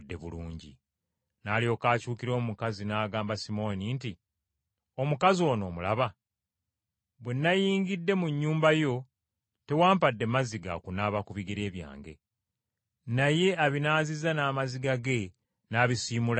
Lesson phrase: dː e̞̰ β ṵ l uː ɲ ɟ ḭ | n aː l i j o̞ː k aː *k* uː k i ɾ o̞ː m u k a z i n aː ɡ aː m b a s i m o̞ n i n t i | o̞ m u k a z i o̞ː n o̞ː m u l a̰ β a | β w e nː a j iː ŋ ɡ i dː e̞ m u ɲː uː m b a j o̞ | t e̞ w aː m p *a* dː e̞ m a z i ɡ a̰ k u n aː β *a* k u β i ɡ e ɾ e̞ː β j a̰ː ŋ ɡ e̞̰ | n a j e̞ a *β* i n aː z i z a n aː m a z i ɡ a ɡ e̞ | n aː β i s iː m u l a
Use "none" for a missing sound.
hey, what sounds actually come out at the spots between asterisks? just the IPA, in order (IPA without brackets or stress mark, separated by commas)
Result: c, a, a, β